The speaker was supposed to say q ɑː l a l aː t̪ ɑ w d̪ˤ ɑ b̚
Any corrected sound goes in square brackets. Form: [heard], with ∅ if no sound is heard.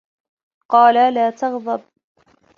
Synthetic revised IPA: q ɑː l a l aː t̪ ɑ [ɣ] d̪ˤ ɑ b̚